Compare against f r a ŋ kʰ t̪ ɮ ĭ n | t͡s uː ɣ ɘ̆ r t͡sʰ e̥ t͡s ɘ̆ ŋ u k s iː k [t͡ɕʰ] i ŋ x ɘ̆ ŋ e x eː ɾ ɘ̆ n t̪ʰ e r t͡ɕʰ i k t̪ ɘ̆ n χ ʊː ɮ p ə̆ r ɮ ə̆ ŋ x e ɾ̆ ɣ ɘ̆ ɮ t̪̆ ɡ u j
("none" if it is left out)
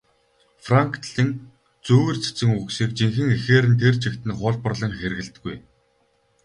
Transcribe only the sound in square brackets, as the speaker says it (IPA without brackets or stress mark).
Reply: t͡ɕ